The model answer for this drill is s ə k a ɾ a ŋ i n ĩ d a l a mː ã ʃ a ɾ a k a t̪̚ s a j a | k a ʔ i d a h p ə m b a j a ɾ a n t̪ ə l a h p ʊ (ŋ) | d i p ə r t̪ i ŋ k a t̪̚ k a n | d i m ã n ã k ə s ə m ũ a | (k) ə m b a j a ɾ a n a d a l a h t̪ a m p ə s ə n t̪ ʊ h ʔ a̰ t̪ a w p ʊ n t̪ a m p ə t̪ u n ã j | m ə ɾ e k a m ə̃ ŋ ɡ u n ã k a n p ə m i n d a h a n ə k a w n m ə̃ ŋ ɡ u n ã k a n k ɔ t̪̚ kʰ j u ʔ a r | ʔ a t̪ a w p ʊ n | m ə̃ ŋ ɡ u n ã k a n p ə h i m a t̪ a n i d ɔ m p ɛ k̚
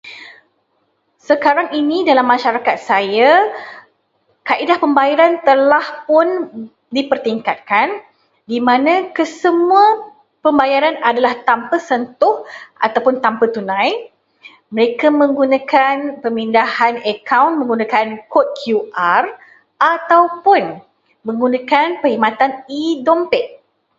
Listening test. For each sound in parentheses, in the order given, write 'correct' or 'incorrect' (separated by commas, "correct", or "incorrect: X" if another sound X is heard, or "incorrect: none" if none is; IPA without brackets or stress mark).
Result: incorrect: n, incorrect: p